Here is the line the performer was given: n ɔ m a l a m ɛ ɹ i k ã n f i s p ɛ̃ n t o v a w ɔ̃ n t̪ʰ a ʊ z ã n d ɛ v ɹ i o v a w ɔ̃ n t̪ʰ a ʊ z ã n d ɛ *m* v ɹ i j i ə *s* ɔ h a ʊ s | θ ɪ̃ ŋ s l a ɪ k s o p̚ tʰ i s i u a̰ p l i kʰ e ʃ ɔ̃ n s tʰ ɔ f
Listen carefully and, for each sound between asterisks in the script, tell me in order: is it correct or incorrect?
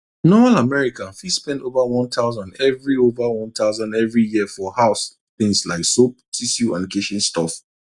incorrect: none, incorrect: f

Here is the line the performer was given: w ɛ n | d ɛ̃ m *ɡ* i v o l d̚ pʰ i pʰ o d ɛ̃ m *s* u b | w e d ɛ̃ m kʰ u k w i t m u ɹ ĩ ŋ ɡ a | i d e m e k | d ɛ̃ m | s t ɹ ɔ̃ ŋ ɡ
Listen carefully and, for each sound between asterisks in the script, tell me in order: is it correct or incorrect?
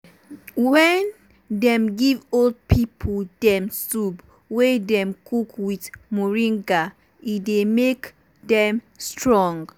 correct, correct

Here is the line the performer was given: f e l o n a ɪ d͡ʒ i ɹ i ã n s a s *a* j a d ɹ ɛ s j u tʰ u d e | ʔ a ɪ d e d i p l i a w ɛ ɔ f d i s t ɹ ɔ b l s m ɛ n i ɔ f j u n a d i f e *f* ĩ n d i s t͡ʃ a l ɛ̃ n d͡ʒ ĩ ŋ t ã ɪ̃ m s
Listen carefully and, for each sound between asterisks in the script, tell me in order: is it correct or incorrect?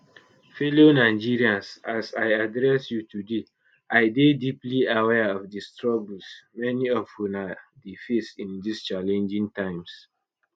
correct, incorrect: s

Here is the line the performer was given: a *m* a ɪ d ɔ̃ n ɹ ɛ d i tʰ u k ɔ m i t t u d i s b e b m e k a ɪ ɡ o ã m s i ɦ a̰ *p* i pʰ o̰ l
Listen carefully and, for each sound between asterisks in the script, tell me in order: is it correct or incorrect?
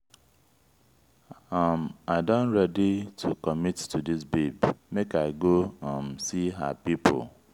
correct, correct

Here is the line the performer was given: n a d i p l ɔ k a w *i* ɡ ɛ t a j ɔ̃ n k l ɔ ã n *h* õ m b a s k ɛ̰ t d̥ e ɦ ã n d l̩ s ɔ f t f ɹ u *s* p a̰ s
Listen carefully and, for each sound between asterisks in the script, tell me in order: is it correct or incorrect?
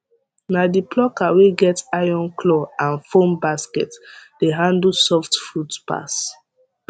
incorrect: e, incorrect: f, incorrect: t

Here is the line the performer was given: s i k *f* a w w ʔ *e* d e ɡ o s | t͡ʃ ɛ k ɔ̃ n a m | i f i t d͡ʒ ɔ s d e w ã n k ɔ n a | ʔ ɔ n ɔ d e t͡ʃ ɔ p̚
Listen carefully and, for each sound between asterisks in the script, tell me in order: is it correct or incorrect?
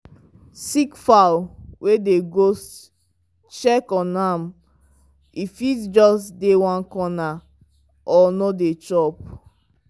correct, correct

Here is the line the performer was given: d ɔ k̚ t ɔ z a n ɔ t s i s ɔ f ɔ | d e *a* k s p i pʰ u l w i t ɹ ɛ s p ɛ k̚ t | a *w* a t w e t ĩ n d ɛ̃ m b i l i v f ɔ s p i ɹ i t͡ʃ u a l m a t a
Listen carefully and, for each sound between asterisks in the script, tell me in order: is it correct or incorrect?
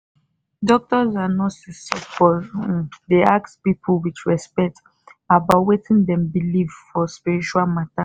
correct, incorrect: b

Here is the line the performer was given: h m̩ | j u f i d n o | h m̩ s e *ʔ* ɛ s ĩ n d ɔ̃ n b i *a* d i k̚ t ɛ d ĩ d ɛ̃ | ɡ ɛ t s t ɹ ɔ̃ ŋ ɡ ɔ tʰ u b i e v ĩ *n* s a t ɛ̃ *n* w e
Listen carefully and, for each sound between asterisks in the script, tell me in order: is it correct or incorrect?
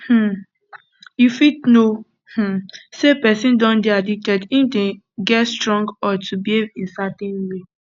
incorrect: p, correct, correct, correct

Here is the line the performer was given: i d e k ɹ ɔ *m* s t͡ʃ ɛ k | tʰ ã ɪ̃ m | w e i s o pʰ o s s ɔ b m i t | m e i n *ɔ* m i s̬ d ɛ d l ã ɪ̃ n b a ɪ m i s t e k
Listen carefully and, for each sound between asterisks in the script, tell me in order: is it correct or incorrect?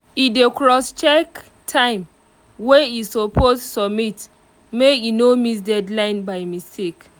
incorrect: none, incorrect: o

